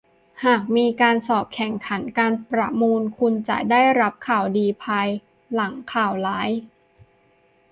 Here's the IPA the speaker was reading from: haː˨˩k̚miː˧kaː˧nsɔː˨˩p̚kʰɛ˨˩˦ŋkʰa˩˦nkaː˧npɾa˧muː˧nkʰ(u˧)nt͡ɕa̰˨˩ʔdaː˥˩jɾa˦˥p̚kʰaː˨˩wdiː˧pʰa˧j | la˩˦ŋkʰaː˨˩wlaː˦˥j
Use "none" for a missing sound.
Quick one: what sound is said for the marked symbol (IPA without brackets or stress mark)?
u˧